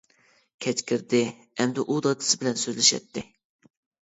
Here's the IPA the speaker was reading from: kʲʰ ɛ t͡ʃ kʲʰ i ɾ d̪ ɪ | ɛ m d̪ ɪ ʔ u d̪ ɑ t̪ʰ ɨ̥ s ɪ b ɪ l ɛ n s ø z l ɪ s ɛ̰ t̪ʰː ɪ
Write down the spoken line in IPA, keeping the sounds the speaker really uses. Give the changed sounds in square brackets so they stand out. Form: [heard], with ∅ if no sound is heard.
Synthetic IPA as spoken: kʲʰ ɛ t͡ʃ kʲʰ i ɾ d̪ ɪ | ɛ m d̪ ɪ ʔ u d̪ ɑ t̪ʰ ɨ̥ s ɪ b ɪ l ɛ n s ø z l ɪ [ʃ] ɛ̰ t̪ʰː ɪ